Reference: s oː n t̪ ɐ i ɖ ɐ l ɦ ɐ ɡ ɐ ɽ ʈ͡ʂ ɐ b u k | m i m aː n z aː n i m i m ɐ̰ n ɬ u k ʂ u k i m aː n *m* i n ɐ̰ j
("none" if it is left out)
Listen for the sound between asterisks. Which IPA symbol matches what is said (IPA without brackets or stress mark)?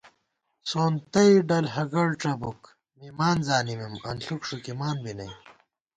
b